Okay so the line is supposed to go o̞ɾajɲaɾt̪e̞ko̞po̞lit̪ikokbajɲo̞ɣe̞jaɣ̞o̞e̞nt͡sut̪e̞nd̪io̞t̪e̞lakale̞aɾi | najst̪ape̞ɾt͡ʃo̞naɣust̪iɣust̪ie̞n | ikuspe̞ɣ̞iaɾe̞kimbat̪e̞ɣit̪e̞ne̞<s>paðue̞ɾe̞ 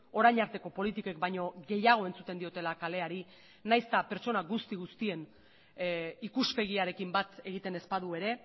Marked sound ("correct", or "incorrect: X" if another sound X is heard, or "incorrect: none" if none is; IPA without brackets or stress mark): correct